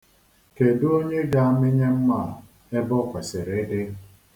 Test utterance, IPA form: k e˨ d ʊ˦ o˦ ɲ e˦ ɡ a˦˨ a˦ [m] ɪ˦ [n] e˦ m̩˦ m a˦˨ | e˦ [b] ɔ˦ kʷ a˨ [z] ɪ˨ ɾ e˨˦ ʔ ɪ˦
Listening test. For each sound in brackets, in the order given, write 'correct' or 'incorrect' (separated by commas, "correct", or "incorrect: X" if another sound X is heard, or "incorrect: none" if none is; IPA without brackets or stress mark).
correct, incorrect: ɲ, correct, incorrect: s